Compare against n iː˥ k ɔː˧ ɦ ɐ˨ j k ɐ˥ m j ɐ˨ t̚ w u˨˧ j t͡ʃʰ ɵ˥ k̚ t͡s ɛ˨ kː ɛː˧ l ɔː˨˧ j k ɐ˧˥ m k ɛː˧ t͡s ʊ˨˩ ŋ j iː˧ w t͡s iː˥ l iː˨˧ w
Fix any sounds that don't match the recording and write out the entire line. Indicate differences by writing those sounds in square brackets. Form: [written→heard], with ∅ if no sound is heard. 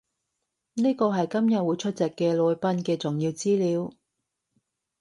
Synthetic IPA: n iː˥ k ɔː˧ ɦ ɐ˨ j k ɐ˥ m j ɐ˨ t̚ w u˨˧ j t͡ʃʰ ɵ˥ [k̚→t̚] t͡s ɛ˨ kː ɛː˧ l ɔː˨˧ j [k→p] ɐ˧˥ [m→n] k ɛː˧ t͡s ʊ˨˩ ŋ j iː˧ w t͡s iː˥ l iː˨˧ w